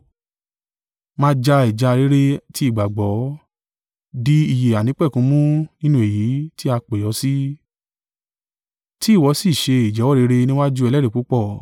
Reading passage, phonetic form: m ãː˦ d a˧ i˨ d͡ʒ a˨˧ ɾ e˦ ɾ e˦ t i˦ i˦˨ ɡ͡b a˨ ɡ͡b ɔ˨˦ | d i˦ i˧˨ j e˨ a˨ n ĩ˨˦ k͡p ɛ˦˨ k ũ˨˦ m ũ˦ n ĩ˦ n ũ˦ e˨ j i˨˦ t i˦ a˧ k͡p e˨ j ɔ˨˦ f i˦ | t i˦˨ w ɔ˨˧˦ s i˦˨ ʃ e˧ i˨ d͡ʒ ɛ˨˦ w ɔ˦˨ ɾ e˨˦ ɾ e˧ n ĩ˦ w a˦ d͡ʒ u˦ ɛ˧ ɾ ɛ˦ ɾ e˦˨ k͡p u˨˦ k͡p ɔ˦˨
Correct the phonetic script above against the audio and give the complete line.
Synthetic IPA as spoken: m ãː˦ d͡ʒ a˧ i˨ d͡ʒ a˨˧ ɾ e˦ ɾ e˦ t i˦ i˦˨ ɡ͡b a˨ ɡ͡b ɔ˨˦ | d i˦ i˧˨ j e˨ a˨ n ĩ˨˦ k͡p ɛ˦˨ k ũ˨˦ m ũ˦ n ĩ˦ n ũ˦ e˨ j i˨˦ t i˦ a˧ k͡p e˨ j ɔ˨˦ s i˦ | t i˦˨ w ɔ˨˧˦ s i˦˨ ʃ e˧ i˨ d͡ʒ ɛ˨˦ w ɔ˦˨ ɾ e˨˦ ɾ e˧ n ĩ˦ w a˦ d͡ʒ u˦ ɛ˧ l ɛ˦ ɾ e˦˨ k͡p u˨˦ k͡p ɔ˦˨